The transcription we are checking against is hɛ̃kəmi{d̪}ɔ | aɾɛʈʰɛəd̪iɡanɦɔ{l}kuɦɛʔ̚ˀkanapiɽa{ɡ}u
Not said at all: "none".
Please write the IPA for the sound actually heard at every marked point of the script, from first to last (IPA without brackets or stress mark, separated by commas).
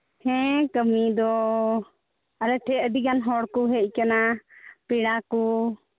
d̪, ɽ, k